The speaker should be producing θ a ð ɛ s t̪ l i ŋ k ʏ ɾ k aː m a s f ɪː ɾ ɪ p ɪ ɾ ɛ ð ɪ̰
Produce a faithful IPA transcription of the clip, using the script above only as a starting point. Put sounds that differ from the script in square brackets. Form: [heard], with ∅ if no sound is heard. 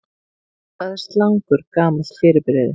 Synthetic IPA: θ a ð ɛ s t̪ l [a] ŋ k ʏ ɾ k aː m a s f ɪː ɾ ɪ p ɪ ɾ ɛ ð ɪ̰